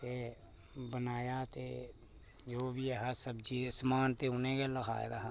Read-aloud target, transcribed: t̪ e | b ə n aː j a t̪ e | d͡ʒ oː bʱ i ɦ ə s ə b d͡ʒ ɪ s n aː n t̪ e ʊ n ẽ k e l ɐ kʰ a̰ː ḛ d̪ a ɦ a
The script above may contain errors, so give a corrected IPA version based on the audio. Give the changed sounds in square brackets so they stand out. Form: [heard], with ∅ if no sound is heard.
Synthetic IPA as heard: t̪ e | b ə n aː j a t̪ e | d͡ʒ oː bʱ i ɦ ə s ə b d͡ʒ [i] s [m] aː n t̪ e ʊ n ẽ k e l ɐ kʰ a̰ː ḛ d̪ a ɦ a